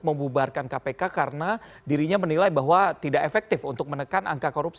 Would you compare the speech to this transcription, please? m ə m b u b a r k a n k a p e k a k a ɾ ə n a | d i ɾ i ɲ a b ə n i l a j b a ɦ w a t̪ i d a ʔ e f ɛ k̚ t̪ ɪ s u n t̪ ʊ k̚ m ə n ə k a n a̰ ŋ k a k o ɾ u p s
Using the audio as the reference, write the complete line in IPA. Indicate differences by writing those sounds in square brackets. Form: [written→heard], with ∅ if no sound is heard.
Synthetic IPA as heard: m ə m b u b a r k a n k a p e k a k a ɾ ə n a | d i ɾ i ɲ a [b→m] ə n i l a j b a ɦ w a t̪ i d a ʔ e f ɛ k̚ t̪ ɪ [s→f] u n t̪ ʊ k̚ m ə n ə k a n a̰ ŋ k a k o ɾ u p s